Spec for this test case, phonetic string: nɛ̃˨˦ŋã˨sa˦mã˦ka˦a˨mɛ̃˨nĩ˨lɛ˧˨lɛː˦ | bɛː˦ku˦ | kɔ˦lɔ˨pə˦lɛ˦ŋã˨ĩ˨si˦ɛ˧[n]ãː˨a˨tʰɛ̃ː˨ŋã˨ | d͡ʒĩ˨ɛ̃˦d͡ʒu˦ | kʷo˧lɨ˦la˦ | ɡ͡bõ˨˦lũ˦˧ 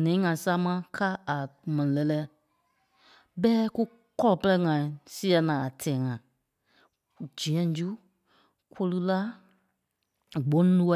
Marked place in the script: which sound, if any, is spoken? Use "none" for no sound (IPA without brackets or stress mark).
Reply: n